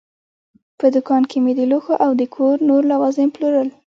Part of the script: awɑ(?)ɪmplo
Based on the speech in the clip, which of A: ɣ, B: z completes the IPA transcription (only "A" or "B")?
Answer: B